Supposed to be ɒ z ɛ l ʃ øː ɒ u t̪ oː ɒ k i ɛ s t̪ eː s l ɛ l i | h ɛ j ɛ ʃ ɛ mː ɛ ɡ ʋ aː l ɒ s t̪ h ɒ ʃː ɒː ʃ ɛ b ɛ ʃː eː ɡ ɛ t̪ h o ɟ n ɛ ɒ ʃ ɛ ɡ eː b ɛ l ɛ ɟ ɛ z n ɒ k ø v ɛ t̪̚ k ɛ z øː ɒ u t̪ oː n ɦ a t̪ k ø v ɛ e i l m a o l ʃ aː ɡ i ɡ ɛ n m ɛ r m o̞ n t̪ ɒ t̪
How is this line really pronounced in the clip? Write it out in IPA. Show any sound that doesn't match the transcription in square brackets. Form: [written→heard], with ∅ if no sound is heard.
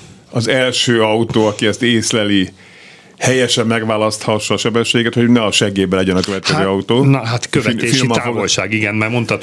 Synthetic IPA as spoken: ɒ z ɛ l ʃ øː ɒ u t̪ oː ɒ k i ɛ s t̪ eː s l ɛ l i | h ɛ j ɛ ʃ ɛ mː ɛ ɡ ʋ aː l ɒ s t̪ h ɒ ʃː ɒː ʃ ɛ b ɛ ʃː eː ɡ ɛ t̪ h o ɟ n ɛ ɒ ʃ ɛ ɡ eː b ɛ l ɛ ɟ ɛ [z→∅] n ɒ k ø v ɛ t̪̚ k ɛ z øː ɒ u t̪ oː n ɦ a t̪ k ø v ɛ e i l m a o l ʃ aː ɡ i ɡ ɛ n m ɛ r m o̞ n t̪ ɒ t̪